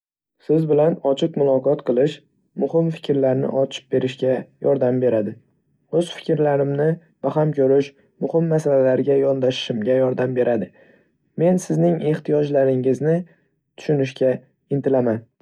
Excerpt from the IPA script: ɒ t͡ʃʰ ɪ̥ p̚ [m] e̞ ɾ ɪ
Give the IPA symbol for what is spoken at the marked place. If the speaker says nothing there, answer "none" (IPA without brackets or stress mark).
b